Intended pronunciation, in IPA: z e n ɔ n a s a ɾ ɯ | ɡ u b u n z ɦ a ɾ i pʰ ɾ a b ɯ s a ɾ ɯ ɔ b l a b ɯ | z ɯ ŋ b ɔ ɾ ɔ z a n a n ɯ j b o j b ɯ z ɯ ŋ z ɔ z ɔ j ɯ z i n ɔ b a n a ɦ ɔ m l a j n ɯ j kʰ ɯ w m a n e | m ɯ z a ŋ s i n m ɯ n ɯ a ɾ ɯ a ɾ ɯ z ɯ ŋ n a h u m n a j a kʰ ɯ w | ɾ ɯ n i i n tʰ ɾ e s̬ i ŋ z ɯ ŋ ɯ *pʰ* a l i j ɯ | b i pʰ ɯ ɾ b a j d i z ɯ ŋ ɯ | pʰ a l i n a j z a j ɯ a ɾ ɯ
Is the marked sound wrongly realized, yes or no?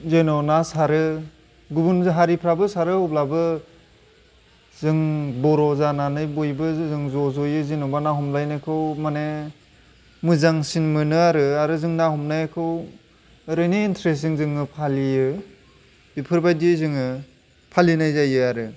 no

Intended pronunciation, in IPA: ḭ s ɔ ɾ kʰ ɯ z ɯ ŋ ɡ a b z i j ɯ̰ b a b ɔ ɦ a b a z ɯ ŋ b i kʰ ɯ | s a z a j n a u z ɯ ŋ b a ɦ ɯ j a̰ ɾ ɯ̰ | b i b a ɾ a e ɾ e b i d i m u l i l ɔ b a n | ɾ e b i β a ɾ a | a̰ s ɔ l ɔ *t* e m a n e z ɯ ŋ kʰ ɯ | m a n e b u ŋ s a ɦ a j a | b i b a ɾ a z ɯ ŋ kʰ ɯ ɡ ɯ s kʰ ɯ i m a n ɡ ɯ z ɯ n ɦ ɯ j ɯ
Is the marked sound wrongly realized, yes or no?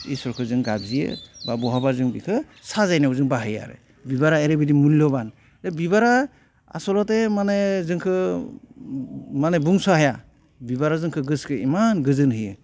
no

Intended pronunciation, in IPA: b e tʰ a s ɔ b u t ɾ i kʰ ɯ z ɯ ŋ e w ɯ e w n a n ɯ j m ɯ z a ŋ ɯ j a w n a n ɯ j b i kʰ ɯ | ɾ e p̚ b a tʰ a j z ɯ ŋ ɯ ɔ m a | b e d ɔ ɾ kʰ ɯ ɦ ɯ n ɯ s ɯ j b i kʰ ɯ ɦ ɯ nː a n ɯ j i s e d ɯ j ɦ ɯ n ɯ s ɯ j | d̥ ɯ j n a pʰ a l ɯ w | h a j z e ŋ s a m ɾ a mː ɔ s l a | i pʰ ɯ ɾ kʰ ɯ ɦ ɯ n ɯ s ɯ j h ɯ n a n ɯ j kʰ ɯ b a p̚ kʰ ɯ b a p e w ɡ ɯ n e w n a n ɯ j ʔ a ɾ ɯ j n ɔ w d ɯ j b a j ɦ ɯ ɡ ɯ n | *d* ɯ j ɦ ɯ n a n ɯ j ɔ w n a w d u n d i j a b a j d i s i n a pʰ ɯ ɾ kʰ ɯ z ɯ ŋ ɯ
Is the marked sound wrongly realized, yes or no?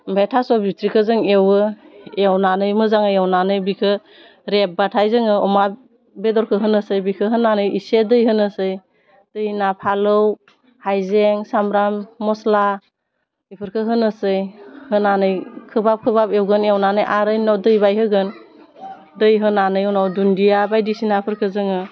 no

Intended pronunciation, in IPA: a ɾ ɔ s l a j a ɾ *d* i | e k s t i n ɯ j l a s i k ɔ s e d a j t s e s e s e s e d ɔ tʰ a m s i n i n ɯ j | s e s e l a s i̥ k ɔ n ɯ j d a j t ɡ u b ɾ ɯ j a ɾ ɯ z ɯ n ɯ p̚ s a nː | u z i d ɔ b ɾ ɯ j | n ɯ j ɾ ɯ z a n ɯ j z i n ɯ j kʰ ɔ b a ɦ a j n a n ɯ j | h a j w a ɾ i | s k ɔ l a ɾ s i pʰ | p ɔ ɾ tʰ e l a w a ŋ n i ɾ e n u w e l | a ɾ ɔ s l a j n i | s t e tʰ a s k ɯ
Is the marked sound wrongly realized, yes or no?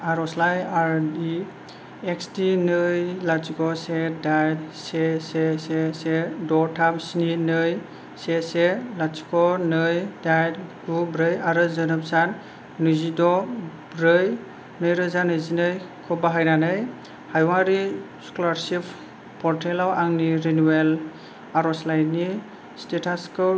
no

